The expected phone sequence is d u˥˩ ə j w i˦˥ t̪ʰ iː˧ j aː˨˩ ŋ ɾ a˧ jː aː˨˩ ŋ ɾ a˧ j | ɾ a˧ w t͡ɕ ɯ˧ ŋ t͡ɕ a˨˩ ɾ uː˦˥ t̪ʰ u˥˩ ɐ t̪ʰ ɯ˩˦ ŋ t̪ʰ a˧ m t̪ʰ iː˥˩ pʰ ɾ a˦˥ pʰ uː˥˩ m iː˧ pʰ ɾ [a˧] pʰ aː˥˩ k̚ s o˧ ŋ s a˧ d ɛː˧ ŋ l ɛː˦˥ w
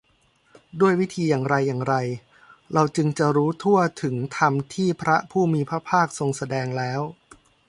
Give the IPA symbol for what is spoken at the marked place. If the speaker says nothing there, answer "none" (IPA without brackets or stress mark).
a˦˥